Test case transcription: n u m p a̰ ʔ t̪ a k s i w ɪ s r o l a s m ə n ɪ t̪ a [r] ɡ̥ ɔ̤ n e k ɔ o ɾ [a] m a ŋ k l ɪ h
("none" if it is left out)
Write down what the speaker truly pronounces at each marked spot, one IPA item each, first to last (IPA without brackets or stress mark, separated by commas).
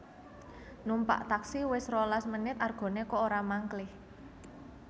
r, a